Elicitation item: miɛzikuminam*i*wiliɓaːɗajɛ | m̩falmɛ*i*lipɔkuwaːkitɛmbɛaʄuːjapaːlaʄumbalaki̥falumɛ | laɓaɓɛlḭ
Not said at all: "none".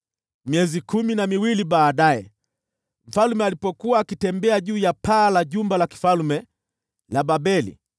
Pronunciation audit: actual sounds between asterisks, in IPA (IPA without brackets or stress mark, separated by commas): i, a